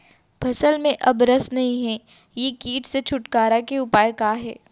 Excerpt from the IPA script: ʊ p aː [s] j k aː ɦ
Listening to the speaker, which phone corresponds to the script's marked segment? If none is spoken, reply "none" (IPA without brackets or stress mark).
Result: none